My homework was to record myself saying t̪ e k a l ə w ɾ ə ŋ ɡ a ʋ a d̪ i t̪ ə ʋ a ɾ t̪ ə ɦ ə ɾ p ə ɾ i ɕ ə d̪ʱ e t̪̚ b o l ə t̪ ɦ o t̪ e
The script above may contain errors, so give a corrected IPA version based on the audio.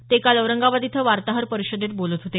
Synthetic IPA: t̪ e k a l ə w ɾ ə ŋ ɡ a ʋ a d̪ i t̪ʰ ə ʋ a ɾ t̪ a ɦ ə ɾ p ə ɾ i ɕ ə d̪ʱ e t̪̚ b o l ə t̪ ɦ o t̪ e